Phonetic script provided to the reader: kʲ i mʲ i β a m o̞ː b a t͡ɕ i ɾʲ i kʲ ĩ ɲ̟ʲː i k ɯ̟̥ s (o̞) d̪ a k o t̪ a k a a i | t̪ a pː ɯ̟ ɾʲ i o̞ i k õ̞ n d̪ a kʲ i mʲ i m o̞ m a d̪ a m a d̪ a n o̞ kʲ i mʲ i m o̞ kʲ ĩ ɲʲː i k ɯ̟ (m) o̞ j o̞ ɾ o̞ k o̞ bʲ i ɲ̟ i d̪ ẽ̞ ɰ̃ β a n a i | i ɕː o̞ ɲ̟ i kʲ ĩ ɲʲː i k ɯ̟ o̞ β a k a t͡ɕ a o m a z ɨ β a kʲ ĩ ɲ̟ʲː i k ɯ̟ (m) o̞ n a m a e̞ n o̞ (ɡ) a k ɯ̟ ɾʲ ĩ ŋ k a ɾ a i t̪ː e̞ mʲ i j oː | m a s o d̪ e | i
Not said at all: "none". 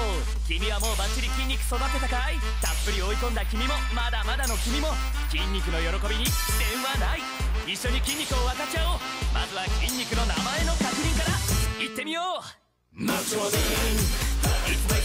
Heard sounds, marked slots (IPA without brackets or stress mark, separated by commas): o̞, n, n, k